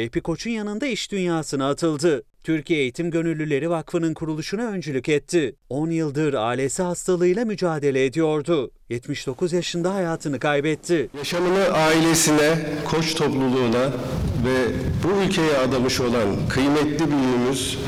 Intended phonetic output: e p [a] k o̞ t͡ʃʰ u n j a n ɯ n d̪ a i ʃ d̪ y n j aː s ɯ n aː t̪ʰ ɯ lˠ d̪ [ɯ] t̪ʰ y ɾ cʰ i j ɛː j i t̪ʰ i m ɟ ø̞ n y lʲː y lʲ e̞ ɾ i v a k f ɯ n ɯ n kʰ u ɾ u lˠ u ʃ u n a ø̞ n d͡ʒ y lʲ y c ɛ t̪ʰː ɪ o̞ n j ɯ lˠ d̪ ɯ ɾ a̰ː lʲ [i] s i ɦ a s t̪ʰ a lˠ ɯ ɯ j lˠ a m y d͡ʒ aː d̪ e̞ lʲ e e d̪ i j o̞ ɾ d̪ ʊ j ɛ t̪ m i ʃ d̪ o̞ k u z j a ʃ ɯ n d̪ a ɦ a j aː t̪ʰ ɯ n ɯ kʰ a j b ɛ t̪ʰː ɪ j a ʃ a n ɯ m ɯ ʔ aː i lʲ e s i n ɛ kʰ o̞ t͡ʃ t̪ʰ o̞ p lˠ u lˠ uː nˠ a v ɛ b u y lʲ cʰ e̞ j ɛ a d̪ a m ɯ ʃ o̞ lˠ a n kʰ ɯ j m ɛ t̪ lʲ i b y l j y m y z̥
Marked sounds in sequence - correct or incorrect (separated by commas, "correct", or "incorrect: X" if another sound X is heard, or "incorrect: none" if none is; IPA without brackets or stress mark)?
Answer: incorrect: i, correct, incorrect: e